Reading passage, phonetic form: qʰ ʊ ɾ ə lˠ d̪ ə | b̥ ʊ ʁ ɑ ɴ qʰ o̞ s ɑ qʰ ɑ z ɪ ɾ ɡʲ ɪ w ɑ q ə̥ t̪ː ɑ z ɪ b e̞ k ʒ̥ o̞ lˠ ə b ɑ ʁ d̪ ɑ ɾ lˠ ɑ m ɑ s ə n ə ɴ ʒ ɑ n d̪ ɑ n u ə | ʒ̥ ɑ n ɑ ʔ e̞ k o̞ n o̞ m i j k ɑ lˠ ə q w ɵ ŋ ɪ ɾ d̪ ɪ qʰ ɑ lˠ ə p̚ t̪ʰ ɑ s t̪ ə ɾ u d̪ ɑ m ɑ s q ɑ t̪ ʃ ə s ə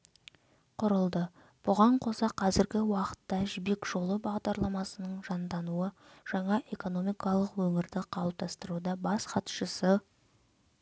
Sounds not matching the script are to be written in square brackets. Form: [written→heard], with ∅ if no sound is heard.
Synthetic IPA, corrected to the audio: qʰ ʊ ɾ ə lˠ d̪ ə | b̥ ʊ ʁ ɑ ɴ qʰ o̞ s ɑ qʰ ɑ z ɪ ɾ ɡʲ ɪ w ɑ q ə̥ t̪ː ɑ [z→ʒ] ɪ b e̞ k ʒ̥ o̞ lˠ ə b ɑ ʁ d̪ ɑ ɾ lˠ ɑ m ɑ s ə n ə ɴ ʒ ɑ n d̪ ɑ n u ə | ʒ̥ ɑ [n→ɴ] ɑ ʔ e̞ k o̞ n o̞ m i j k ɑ lˠ ə q w ɵ ŋ ɪ ɾ d̪ ɪ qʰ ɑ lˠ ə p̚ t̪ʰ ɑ s t̪ ə ɾ u d̪ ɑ [m→b] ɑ s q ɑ t̪ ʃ ə s ə